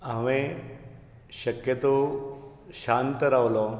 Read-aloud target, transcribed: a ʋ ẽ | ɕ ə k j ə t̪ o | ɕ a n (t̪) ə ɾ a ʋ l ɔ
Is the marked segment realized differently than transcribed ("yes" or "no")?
no